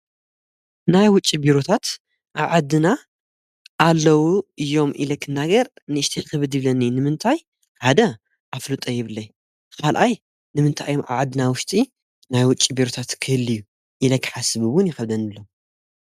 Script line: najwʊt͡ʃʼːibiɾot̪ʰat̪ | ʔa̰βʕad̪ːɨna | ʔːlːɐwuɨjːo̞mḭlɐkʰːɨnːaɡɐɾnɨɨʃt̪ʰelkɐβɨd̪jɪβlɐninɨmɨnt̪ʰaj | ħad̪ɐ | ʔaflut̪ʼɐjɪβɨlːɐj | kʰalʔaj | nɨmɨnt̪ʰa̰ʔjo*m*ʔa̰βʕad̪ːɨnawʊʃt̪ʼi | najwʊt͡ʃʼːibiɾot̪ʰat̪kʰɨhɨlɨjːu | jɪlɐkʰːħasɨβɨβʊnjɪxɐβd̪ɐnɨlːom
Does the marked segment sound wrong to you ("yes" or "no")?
no